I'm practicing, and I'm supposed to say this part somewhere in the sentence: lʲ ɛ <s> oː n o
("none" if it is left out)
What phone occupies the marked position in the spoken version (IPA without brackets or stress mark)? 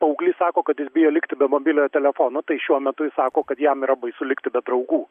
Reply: f